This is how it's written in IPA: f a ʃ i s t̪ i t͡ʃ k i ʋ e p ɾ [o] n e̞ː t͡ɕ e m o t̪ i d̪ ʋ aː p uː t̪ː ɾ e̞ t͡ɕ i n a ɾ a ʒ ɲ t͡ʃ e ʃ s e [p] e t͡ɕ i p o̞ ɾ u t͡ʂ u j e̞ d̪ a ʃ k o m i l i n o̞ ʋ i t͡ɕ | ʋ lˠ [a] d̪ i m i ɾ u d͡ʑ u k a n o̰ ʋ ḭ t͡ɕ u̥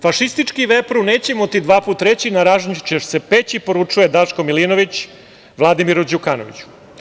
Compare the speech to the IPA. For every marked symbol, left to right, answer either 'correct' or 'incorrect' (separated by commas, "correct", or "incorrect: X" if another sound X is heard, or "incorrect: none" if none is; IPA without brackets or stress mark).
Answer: incorrect: u, correct, correct